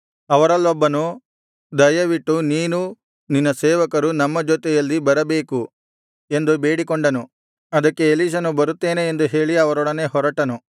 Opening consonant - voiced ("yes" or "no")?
yes